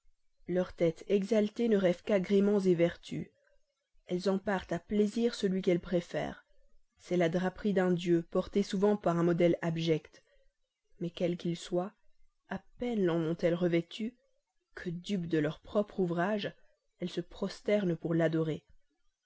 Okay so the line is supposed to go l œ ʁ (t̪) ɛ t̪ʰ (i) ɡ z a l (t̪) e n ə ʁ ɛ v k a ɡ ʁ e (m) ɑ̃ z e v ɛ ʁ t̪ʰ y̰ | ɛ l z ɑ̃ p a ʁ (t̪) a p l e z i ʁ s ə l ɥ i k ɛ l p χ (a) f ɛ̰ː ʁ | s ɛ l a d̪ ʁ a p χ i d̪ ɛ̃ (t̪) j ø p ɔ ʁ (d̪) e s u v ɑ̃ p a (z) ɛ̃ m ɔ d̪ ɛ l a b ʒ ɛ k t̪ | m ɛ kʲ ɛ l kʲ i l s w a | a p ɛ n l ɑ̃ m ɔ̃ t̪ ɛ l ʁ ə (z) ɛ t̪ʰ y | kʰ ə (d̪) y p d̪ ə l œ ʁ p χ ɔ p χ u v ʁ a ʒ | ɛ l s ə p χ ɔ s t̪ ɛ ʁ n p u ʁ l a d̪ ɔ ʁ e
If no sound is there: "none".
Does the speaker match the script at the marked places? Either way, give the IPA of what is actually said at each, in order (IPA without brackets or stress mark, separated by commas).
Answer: t̪, ɛ, t̪, m, t̪, e, d̪, t̪, ʁ, v, d̪